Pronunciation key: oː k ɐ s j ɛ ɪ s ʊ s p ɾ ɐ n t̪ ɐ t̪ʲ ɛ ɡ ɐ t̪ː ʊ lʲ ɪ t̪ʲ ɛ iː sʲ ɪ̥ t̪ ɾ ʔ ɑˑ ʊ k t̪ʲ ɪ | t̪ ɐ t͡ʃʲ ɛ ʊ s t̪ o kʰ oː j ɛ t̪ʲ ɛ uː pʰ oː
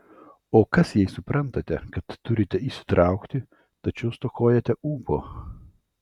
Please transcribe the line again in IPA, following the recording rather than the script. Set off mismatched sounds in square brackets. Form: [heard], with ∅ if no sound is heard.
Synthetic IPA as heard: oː k ɐ s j ɛ ɪ s ʊ [∅] p ɾ ɐ n t̪ ɐ t̪ʲ ɛ [k] ɐ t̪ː ʊ [ɾʲ] ɪ t̪ʲ ɛ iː sʲ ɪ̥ t̪ ɾ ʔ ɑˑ ʊ k t̪ʲ ɪ | t̪ ɐ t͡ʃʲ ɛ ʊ s t̪ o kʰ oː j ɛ t̪ʲ ɛ uː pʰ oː